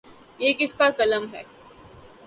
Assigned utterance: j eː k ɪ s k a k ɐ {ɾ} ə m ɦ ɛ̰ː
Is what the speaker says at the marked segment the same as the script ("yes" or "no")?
no